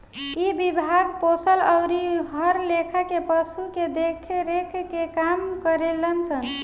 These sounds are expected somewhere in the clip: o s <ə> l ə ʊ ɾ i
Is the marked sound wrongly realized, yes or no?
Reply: no